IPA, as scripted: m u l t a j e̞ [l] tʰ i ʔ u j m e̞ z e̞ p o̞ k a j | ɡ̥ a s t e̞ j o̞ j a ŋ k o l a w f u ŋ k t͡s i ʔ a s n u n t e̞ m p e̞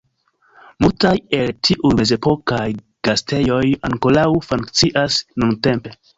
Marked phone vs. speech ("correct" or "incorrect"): correct